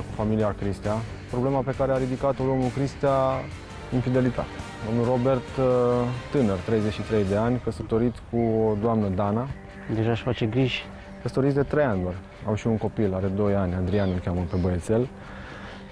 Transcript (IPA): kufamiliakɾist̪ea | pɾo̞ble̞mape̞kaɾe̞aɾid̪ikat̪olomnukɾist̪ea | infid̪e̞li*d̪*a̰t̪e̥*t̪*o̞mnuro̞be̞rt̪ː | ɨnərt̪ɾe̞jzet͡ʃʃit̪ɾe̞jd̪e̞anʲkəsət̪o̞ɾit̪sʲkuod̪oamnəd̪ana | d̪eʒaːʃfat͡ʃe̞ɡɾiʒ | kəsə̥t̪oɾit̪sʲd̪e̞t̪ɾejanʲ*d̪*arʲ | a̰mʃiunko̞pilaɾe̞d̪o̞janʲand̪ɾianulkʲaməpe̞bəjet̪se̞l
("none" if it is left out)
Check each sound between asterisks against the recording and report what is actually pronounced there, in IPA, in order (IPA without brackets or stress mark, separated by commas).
t̪, d̪, d̪